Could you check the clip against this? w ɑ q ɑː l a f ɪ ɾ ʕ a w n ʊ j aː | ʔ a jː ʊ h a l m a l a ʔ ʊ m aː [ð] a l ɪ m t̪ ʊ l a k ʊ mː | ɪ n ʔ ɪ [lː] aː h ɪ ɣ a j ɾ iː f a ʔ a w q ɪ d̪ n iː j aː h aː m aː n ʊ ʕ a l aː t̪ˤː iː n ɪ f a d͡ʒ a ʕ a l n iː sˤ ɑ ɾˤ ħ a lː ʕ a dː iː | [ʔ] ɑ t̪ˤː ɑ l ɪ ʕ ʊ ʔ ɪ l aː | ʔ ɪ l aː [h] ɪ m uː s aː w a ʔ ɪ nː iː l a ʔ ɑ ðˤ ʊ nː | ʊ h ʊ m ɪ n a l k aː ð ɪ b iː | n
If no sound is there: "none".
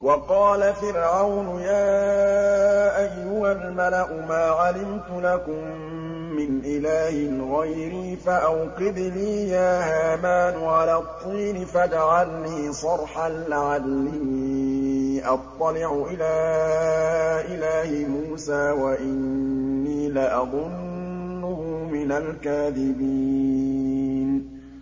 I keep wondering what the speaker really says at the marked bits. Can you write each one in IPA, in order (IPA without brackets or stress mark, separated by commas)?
ʕ, l, ʔ, h